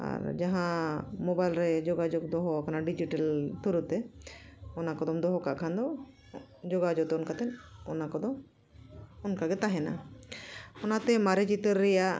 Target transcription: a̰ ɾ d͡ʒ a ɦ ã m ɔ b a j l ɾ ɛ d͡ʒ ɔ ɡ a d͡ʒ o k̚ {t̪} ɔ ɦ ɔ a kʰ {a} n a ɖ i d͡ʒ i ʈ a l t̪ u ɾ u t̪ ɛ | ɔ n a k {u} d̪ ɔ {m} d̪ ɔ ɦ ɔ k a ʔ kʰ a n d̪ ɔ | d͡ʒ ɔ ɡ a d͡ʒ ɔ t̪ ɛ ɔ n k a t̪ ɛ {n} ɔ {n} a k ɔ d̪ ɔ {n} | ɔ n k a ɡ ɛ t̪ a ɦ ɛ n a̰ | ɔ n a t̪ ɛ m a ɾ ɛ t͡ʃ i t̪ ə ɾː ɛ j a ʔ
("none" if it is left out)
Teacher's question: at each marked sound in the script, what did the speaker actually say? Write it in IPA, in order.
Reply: d̪, a, ɔ, m, n, n, m

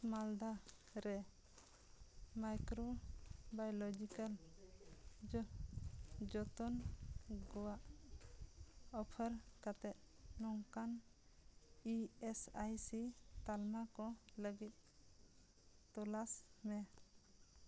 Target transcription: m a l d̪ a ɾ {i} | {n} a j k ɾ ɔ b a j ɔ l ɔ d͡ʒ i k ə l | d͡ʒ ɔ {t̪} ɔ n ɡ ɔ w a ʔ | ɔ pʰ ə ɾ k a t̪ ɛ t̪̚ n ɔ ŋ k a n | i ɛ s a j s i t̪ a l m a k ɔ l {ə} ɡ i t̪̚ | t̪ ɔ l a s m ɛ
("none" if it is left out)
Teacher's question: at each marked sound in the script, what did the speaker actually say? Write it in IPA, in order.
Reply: ɛ, m, t̪, ə

